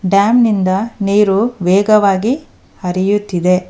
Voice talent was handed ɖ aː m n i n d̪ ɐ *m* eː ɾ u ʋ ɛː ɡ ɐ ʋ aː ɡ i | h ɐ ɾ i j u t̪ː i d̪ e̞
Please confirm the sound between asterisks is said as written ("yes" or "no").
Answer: no